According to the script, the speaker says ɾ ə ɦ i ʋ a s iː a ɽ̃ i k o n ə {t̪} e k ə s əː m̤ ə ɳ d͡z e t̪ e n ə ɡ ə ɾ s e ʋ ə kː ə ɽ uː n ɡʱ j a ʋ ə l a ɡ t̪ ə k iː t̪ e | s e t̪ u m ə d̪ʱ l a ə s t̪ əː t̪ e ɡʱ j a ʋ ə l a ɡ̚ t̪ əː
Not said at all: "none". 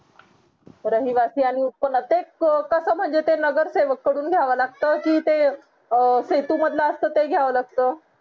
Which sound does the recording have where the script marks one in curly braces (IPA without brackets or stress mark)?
t̪